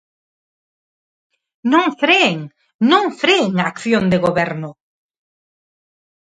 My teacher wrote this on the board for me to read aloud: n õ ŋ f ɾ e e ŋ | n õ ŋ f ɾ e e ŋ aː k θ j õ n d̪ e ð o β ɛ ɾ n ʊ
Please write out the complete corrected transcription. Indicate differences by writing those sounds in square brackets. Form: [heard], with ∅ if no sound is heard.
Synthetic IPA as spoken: n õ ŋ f ɾ e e ŋ | n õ ŋ f ɾ e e ŋ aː k θ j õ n d̪ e [ɣ] o β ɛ ɾ n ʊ

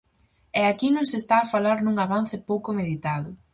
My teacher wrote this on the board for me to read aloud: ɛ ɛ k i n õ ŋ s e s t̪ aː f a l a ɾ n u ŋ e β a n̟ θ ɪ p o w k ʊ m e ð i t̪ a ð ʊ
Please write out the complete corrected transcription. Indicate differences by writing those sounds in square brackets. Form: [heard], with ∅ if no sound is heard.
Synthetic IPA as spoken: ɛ [a] k i n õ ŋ s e s t̪ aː f a l a ɾ n u ŋ [a] β a n̟ θ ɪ p o w k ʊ m e ð i t̪ a ð ʊ

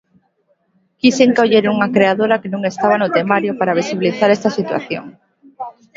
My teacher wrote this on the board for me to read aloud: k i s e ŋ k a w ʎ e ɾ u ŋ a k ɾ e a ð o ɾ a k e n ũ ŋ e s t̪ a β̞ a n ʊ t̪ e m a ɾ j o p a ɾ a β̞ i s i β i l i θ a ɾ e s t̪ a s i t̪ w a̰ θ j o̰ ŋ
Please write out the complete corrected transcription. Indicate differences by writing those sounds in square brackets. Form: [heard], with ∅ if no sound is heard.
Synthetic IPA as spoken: k i s e ŋ k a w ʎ e ɾ u ŋ a k ɾ e a ð o ɾ a k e n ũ ŋ e s t̪ a β̞ a n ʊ t̪ e m a ɾ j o p a ɾ a β̞ i s i β i l i θ a ɾ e s t̪ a s i t̪ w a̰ θ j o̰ ŋ

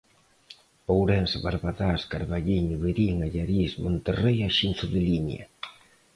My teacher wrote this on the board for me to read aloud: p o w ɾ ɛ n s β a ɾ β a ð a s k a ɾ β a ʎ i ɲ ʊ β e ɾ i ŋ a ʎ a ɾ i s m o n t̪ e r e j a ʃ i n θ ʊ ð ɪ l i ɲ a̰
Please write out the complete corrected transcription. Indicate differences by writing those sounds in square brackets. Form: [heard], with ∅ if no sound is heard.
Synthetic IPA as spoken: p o w ɾ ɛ n s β a ɾ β a ð a s k a ɾ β a ʎ i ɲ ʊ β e ɾ i ŋ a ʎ a ɾ i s m o n t̪ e r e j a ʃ i n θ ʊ ð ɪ l i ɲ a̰

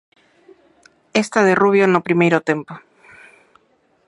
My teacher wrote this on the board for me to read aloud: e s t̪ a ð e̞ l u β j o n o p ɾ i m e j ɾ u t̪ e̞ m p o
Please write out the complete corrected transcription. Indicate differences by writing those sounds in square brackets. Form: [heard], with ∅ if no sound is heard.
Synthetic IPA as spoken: e s t̪ a ð e̞ [r] u β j o n o p ɾ i m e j ɾ [o] t̪ e̞ m p o

